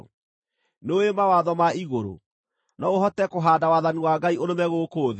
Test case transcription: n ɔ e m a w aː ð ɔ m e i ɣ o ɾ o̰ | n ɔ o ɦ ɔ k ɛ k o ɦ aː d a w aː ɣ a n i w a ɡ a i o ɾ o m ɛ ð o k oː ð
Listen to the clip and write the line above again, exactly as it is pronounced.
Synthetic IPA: n o e m a w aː ð ɔ m a i ɣ o ɾ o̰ | n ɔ o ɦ ɔ t ɛ k o ɦ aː d a w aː ð a n i w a ɡ a i o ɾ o m ɛ ɣ o k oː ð